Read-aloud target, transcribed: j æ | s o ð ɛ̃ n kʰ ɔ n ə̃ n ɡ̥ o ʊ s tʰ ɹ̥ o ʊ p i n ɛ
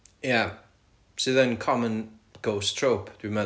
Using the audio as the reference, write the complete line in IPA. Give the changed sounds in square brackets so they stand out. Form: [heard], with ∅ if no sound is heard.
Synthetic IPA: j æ | s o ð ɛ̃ n kʰ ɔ [m] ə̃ n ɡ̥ o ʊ s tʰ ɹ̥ o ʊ p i [m] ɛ